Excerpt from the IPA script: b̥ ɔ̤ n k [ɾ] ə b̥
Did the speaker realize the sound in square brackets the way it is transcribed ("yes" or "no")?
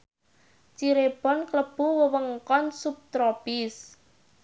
no